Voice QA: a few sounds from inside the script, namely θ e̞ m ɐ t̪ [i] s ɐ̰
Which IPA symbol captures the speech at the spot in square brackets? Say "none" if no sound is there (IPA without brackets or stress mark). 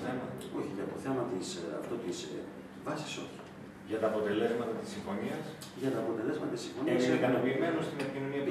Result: i